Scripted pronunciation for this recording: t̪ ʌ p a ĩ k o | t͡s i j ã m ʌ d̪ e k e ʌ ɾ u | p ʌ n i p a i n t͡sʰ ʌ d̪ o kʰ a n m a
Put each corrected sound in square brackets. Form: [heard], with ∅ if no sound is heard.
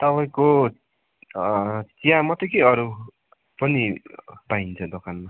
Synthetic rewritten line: t̪ ʌ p a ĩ k o | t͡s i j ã m ʌ [t̪] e k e ʌ ɾ u | p ʌ n i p a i n t͡sʰ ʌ d̪ o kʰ a n m a

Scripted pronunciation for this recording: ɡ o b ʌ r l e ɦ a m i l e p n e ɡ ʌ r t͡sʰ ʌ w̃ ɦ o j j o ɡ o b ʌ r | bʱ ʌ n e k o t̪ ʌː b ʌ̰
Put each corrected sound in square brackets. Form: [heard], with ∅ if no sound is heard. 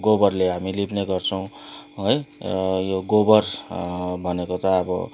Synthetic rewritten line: ɡ o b ʌ r l e ɦ a m i l [i] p n e ɡ ʌ r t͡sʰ ʌ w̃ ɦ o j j o ɡ o b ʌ r | bʱ ʌ n e k o t̪ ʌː b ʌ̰

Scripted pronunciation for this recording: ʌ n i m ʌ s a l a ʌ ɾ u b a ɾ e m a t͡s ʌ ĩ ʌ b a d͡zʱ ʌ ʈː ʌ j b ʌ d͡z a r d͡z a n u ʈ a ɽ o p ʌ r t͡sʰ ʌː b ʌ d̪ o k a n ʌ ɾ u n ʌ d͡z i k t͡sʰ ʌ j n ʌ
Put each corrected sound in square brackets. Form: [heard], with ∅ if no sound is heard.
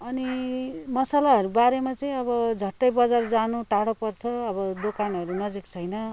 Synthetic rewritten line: ʌ n i m ʌ s a l a ʌ ɾ u b a ɾ e m a t͡s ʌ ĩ ʌ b [ʌ] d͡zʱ ʌ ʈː ʌ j b ʌ d͡z a r d͡z a n u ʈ a ɽ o p ʌ r t͡sʰ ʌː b ʌ d̪ o k a n ʌ ɾ u n ʌ d͡z i k t͡sʰ ʌ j n ʌ

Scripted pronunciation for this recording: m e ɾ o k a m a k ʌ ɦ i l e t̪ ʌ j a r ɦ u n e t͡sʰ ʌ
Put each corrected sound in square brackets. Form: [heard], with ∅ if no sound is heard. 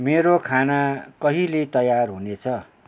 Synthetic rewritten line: m e ɾ o [kʰ] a [n] a k ʌ ɦ i l e t̪ ʌ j a r ɦ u n e t͡sʰ ʌ

